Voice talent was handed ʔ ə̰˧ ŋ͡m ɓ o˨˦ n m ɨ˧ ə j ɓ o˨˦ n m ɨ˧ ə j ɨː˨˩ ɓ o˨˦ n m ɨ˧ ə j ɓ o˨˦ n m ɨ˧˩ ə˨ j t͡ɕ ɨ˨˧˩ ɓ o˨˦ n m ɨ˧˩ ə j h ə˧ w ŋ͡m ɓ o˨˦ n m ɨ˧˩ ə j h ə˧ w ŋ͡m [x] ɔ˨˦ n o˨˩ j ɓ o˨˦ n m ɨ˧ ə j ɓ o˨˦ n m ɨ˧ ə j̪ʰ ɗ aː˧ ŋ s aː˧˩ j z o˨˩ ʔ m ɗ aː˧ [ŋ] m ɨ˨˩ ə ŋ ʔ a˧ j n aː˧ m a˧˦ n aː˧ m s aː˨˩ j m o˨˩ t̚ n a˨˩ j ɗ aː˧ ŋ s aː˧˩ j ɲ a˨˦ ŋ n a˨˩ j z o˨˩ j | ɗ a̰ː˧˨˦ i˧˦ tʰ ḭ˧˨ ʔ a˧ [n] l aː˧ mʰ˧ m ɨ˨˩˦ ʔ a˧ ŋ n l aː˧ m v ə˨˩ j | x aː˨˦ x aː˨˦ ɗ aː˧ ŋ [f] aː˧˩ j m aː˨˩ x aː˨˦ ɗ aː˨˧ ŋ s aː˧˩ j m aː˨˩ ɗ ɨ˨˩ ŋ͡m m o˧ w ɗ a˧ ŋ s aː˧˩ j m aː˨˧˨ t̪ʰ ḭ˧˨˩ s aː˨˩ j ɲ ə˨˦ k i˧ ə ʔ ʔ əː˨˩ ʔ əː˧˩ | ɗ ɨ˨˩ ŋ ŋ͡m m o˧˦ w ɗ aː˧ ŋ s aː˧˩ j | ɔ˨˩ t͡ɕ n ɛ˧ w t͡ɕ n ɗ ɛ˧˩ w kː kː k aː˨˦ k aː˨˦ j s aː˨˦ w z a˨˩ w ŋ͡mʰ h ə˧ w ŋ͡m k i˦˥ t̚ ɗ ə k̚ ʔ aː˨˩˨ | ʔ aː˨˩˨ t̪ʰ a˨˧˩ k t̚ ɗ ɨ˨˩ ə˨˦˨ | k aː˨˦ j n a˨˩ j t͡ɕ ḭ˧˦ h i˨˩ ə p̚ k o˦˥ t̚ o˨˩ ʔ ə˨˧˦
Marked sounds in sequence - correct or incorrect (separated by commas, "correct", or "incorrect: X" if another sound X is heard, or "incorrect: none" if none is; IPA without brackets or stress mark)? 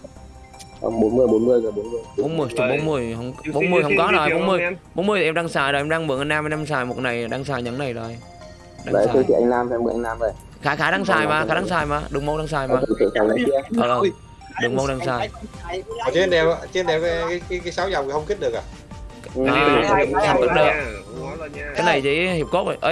incorrect: k, correct, incorrect: ŋ, incorrect: s